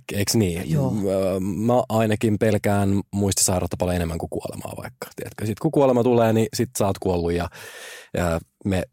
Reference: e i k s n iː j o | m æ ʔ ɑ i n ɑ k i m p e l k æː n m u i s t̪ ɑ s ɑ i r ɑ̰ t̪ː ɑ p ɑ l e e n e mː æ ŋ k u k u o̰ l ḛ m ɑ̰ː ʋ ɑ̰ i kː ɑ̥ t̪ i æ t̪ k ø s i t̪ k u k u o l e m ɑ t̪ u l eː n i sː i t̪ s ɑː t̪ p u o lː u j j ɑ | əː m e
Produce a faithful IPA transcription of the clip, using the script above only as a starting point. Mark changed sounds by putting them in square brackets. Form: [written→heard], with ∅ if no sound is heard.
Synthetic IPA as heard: e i k s n iː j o | m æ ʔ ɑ i n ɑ k i m p e l k æː n m u i s t̪ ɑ s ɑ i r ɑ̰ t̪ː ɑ p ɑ l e e n e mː æ ŋ k u k u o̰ l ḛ m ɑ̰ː ʋ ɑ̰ i kː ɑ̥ t̪ i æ t̪ k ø s i t̪ k u k u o l e m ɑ t̪ u l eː n i [sː→s] i t̪ s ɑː t̪ [p→k] u o lː u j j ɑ | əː m e